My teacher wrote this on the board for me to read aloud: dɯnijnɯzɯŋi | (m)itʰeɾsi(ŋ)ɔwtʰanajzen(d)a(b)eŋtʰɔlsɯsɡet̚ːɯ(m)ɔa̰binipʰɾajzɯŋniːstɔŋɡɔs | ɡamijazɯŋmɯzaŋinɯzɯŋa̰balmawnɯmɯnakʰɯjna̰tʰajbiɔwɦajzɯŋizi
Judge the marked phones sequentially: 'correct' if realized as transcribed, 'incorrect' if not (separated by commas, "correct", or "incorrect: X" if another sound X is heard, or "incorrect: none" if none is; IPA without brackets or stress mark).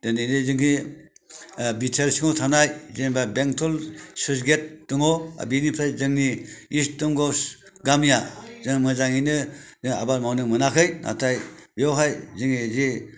incorrect: b, correct, incorrect: b, correct, incorrect: ŋ